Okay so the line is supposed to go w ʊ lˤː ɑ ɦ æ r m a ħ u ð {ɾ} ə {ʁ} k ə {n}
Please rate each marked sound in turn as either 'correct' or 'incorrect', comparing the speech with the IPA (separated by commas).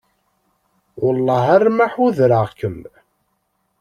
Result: correct, correct, incorrect